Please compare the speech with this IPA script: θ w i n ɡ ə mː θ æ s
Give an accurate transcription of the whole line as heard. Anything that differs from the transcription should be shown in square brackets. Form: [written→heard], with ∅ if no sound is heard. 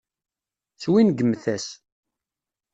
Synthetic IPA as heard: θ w i n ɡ ə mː θ æ s